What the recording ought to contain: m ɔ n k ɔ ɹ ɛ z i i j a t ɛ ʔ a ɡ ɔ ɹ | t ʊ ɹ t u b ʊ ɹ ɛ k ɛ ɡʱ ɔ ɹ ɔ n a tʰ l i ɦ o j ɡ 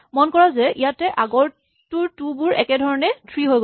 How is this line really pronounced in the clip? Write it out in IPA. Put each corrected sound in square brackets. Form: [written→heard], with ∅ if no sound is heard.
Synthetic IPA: m ɔ n k ɔ ɹ [ɛ→a] z [i→ɛ] i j a t ɛ ʔ a ɡ ɔ ɹ | t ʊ ɹ t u b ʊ ɹ ɛ k ɛ [ɡʱ→dʱ] ɔ ɹ ɔ n [a→ɛ] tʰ [l→ɹ] i ɦ o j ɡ